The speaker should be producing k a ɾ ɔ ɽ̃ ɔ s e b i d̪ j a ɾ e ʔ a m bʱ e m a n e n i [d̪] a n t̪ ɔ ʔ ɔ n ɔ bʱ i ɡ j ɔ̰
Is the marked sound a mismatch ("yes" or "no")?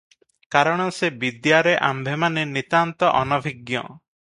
yes